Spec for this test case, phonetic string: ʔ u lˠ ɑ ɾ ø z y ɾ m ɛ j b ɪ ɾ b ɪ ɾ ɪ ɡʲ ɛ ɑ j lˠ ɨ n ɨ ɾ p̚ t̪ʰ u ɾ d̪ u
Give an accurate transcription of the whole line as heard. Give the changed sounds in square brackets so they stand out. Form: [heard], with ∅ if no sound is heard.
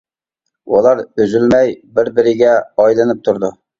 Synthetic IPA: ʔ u lˠ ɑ ɾ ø z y [l] m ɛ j b ɪ ɾ b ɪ ɾ ɪ ɡʲ ɛ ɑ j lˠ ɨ n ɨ [∅] p̚ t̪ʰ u ɾ d̪ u